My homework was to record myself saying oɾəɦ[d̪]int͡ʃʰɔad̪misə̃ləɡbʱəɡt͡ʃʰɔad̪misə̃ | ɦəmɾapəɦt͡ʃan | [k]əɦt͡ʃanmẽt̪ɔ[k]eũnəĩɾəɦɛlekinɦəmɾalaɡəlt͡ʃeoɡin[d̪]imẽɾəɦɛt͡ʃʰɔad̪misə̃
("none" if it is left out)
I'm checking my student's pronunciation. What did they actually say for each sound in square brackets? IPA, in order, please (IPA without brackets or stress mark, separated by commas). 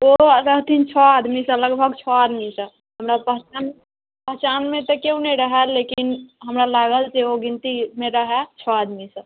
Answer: t̪, p, k, t̪